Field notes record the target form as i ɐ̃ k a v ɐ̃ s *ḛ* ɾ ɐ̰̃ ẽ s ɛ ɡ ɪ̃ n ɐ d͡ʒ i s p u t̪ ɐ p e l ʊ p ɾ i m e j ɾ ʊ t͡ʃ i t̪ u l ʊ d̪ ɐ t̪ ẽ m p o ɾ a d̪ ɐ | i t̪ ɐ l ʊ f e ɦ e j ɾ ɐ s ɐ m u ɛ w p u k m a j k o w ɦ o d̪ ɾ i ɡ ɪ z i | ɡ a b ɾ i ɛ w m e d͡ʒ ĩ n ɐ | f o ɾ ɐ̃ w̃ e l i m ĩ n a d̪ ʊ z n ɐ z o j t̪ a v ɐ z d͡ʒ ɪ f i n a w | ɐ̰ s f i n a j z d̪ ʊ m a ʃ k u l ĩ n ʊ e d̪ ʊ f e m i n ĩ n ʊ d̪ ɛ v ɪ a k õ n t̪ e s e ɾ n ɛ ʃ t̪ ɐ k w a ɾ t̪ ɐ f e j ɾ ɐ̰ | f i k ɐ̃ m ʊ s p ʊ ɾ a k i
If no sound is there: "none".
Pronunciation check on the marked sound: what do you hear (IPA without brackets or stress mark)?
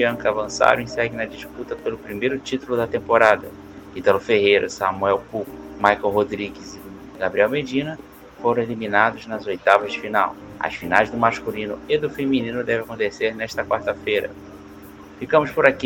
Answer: a̰